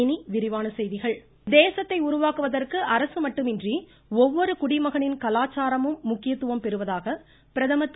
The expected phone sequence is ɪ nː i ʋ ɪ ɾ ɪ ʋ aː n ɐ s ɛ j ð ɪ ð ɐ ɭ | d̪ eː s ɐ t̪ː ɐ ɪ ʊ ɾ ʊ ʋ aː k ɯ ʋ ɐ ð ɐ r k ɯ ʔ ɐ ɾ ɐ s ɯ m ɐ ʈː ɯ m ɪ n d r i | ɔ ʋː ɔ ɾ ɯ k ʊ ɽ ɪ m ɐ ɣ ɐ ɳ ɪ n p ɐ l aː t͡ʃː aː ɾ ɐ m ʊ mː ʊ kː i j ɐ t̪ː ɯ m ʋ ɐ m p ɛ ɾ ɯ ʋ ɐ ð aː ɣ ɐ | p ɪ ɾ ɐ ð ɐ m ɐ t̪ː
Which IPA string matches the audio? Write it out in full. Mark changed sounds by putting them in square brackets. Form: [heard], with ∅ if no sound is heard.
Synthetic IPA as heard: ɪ [n] i ʋ ɪ ɾ ɪ ʋ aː n ɐ s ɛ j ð ɪ [ɣ] ɐ ɭ | d̪ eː s ɐ t̪ː ɐ ɪ ʊ ɾ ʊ ʋ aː k ɯ ʋ ɐ ð ɐ r k ɯ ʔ ɐ ɾ ɐ s ɯ m ɐ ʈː ɯ m ɪ n d r i | ɔ ʋː ɔ ɾ ɯ k ʊ ɽ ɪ m ɐ ɣ ɐ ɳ ɪ n [k] ɐ l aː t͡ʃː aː ɾ ɐ m [ɯ] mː ʊ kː [ɪ] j ɐ t̪ː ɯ [∅] ʋ ɐ m p ɛ ɾ ɯ ʋ ɐ ð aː ɣ ɐ | p ɪ ɾ ɐ ð ɐ m ɐ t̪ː